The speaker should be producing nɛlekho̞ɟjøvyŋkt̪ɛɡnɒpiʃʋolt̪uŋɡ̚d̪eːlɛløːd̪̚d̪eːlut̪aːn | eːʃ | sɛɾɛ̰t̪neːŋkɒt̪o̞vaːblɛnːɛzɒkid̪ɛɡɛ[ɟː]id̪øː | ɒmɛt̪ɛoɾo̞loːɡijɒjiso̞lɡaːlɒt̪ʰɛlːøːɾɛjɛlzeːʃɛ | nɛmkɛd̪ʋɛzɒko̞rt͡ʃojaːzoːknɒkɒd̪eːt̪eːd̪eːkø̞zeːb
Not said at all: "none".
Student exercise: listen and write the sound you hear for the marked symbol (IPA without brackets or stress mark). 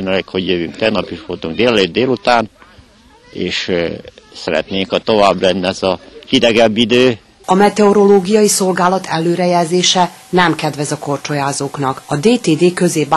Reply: bː